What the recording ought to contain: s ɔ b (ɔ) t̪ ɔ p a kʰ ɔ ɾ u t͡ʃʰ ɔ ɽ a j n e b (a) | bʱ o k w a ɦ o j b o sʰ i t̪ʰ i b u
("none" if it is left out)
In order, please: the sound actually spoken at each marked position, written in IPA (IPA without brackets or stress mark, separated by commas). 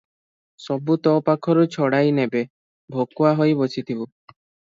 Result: u, e